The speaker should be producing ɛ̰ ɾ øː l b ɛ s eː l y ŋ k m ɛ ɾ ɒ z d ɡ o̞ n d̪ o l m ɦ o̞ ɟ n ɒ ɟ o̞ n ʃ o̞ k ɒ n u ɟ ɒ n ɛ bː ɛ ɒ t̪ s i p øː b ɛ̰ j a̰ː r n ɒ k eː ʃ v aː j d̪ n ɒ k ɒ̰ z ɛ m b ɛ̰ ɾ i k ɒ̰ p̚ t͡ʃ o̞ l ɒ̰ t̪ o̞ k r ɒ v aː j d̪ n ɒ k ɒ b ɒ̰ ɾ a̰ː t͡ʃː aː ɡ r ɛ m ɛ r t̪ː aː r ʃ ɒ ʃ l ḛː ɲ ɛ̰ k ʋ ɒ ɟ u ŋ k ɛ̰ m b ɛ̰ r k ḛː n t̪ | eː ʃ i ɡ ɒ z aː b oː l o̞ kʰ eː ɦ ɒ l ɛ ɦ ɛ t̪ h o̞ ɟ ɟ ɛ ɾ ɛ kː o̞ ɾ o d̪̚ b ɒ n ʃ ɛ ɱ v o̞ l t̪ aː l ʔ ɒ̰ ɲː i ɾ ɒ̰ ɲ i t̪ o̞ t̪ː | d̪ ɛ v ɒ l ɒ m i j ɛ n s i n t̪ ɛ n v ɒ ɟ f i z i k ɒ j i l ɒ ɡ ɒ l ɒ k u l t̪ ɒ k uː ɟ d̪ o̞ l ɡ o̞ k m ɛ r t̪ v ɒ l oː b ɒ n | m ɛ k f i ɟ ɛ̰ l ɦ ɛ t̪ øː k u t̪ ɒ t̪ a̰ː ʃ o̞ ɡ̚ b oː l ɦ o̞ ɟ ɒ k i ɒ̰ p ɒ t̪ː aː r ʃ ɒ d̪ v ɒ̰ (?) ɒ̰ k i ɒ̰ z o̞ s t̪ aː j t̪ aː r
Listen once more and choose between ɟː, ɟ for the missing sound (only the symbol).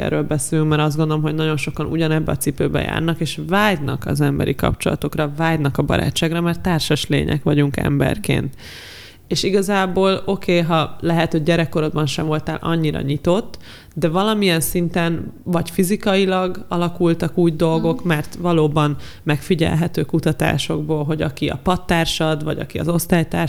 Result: ɟ